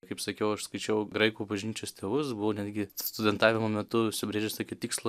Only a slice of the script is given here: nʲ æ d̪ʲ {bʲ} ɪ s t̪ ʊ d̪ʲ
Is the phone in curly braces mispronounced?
yes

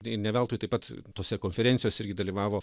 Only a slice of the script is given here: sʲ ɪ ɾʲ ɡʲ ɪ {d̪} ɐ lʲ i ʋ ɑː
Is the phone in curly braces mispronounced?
no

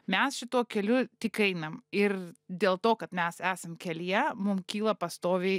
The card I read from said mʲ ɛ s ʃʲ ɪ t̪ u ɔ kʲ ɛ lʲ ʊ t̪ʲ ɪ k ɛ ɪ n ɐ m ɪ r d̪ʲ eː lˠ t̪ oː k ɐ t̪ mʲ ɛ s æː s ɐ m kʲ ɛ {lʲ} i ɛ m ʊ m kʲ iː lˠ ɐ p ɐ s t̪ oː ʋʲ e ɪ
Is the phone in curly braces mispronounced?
no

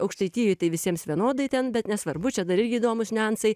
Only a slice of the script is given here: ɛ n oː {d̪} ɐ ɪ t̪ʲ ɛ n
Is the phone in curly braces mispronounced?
no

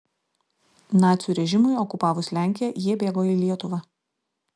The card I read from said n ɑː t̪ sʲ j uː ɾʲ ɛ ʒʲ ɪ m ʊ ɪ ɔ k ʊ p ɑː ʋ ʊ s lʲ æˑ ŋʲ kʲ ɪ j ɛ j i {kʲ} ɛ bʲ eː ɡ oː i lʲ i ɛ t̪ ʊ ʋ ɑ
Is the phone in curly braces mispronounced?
yes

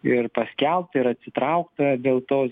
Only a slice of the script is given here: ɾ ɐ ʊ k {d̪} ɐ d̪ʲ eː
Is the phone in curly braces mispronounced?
yes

